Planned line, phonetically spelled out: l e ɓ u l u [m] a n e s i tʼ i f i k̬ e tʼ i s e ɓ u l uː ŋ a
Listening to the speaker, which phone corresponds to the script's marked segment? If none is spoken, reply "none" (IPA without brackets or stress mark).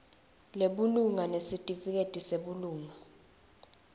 ŋ